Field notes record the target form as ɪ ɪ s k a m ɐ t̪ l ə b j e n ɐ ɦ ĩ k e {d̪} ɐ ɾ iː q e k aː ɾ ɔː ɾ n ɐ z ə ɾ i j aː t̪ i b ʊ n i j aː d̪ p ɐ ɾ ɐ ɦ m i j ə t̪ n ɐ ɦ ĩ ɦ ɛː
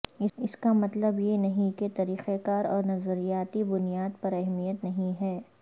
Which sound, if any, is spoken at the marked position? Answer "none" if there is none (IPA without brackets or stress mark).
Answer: t̪